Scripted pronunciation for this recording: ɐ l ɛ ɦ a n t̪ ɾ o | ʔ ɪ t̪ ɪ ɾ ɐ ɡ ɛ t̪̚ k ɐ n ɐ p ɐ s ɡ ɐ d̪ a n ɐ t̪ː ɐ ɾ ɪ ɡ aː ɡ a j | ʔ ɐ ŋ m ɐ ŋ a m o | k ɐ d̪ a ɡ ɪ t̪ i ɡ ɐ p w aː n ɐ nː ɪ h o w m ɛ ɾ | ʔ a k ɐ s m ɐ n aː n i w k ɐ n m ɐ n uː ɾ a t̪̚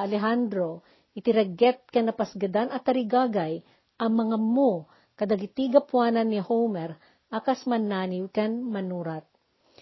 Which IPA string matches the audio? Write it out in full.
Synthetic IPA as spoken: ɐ l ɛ ɦ a n d̪ ɾ o | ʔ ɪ t̪ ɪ ɾ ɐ ɡ ɛ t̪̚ k ɐ n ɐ p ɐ s ɡ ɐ d̪ a n ɐ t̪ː ɐ ɾ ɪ ɡ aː ɡ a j | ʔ ɐ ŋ m ɐ ŋ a m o | k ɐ d̪ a ɡ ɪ t̪ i ɡ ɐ p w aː n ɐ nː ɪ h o w m ɛ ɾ | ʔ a k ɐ s m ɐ n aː n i w k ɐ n m ɐ n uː ɾ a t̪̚